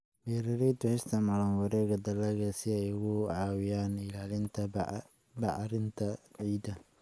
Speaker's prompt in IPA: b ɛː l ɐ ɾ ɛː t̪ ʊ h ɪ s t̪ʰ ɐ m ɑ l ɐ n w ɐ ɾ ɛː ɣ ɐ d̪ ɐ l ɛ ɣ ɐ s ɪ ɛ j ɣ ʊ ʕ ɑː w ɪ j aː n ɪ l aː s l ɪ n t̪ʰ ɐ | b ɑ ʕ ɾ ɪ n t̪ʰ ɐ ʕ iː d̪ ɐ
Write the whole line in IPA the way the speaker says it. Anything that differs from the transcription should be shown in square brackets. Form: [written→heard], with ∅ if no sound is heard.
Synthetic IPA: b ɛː [l→ɾ] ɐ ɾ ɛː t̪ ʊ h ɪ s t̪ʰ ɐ m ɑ l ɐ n w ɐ ɾ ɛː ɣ ɐ d̪ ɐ l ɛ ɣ ɐ s ɪ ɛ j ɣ ʊ ʕ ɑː w ɪ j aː n ɪ l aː [s→∅] l ɪ n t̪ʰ ɐ | b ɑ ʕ ɾ ɪ n t̪ʰ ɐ ʕ iː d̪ ɐ